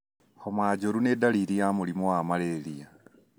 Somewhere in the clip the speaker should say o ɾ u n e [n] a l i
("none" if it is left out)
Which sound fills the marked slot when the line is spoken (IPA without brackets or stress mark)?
d